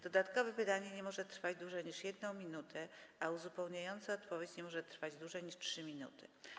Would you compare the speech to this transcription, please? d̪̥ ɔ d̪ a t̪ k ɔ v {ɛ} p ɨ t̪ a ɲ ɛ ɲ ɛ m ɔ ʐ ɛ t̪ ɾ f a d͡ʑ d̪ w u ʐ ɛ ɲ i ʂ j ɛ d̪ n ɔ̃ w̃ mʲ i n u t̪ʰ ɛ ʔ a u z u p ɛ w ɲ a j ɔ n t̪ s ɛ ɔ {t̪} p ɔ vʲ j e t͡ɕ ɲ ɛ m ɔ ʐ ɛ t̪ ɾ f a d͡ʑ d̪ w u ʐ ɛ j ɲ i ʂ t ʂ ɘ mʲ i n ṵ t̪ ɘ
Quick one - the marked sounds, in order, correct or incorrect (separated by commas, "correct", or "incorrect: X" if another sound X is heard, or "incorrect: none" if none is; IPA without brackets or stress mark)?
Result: correct, correct